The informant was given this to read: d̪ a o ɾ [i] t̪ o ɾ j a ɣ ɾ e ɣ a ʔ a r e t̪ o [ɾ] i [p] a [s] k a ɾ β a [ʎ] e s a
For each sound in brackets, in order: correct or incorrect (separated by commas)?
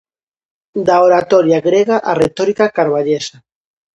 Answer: incorrect, correct, incorrect, incorrect, correct